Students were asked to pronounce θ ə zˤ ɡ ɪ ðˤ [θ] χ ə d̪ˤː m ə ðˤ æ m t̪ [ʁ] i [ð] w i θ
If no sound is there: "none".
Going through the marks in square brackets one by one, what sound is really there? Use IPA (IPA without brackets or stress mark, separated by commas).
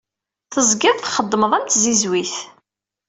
θ, z, z